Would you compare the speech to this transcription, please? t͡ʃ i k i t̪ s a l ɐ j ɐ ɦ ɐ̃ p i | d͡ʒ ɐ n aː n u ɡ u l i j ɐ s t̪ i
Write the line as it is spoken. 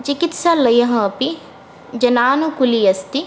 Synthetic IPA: t͡ʃ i k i t̪ s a l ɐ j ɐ ɦ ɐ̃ p i | d͡ʒ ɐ n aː n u k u l i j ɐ s t̪ i